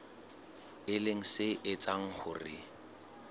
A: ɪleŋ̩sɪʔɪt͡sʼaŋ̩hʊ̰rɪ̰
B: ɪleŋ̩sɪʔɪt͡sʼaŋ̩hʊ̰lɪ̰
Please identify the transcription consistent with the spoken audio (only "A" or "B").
A